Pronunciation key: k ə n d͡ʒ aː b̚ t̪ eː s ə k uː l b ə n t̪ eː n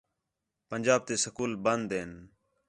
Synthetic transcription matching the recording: p ə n d͡ʒ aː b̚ t̪ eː s ə k uː l b ə n d̪ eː n